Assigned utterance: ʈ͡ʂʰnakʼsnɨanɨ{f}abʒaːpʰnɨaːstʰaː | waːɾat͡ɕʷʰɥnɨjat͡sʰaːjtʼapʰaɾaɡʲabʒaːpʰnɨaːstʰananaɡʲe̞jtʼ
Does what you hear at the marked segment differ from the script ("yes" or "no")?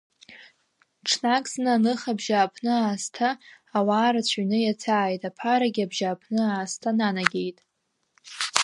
yes